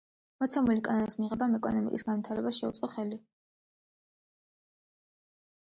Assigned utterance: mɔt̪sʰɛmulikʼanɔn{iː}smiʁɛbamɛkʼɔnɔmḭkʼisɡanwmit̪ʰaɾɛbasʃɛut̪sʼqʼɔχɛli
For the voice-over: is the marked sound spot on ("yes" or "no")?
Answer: no